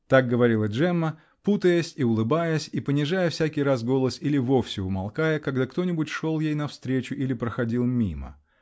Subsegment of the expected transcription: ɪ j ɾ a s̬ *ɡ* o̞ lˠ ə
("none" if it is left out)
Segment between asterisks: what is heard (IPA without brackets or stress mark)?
ɡ